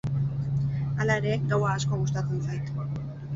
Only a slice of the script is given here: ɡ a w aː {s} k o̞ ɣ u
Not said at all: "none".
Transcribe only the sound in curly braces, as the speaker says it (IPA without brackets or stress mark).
s